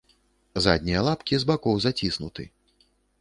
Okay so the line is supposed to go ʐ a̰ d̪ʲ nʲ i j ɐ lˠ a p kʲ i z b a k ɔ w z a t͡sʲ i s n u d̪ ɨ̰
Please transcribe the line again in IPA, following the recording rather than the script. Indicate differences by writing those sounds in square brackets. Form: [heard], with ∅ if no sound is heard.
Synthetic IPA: [z] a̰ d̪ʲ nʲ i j ɐ lˠ a p kʲ i z b a k ɔ w z a t͡sʲ i s n u [t̪] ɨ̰